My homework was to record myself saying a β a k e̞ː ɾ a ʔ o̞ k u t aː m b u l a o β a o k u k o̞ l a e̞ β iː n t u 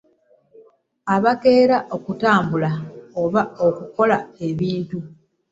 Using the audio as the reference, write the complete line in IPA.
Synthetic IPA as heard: a β a k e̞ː ɾ a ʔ o̞ k u t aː m b u l a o β a o k u k o̞ l a e̞ β iː n t u